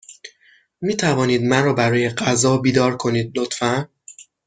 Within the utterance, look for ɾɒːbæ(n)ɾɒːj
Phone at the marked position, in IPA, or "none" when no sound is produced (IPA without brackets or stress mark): none